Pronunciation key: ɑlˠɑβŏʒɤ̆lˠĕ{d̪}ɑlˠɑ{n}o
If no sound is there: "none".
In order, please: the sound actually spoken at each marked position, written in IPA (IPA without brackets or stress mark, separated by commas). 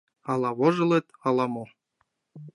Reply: t̪, m